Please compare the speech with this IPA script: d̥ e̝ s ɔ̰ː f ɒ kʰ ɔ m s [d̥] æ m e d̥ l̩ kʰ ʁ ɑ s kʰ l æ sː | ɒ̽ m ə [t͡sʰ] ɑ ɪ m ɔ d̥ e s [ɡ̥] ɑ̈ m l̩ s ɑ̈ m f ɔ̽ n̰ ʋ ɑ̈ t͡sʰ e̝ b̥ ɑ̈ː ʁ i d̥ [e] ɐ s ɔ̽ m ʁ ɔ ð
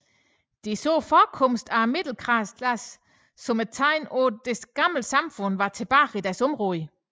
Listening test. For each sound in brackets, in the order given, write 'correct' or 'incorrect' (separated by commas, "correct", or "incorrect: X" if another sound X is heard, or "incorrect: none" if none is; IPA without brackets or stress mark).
correct, correct, correct, incorrect: æ